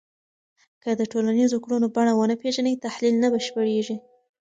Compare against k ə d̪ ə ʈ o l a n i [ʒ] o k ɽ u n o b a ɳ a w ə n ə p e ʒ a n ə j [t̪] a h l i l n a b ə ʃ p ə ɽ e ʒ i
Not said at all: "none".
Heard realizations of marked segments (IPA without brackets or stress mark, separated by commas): z, t̪